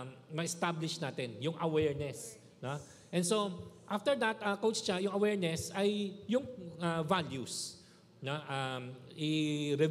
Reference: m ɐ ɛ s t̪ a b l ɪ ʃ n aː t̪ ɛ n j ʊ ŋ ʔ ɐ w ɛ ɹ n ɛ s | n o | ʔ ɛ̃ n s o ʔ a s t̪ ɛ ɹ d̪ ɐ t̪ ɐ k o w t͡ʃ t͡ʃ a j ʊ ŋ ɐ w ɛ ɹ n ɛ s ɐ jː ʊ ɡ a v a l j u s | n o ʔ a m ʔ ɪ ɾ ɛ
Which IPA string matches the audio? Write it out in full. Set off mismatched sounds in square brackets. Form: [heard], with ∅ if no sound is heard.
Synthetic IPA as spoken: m ɐ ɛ s t̪ a b l ɪ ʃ n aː t̪ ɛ n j ʊ ŋ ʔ ɐ w ɛ ɹ n ɛ s | n o | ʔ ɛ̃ n s o ʔ a [f] t̪ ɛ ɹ d̪ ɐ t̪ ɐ k o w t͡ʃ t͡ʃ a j ʊ ŋ ɐ w ɛ ɹ n ɛ s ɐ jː ʊ [ŋ] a v a l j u s | n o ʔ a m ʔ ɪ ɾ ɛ